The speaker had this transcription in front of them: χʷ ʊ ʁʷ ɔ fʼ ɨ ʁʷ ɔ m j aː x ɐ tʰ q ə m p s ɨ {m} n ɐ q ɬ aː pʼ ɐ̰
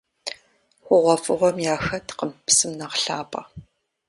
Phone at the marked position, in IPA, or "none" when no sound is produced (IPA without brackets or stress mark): m